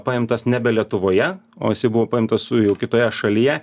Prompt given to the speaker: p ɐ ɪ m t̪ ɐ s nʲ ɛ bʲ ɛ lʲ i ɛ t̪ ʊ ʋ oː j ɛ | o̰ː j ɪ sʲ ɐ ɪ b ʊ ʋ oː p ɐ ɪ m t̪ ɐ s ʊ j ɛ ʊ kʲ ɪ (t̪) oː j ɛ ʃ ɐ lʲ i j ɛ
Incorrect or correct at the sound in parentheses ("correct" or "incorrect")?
correct